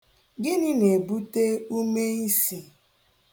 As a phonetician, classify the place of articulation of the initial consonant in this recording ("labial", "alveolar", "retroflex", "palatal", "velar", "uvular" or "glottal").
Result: velar